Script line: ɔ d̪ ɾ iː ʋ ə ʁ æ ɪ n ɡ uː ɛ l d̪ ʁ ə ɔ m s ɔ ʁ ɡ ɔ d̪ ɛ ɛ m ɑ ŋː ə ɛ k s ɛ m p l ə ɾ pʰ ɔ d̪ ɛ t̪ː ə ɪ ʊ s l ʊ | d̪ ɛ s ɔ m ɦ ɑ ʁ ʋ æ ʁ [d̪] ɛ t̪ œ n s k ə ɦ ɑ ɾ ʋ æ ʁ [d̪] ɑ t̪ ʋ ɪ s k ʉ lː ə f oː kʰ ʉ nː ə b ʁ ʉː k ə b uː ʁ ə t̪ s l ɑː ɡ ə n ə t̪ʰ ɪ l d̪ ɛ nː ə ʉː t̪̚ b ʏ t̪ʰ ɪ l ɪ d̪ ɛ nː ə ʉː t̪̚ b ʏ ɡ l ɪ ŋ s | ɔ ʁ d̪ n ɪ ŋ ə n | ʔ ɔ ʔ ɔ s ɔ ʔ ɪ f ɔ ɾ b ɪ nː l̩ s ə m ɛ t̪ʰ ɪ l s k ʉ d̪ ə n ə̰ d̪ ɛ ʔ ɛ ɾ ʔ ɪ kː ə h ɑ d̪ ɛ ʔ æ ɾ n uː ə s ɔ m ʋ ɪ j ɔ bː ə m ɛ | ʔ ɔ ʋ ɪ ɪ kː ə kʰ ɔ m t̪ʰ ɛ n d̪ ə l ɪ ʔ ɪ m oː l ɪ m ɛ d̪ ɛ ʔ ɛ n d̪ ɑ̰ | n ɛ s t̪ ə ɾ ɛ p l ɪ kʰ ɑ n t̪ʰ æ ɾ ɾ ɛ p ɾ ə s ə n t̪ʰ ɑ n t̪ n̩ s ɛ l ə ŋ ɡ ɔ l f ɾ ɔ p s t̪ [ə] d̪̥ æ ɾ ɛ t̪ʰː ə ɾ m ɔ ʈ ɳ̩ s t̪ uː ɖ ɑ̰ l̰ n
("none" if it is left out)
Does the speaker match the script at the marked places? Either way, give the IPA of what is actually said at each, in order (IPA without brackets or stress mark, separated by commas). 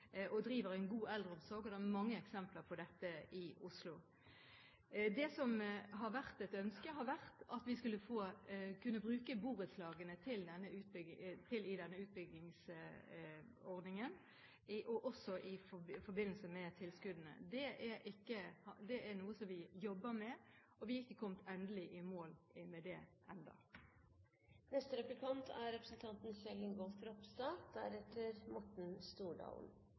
t̪, t̪, ɑ